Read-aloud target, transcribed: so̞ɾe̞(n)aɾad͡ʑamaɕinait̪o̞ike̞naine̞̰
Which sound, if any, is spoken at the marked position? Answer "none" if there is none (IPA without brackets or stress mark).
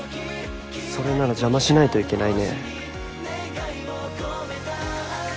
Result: n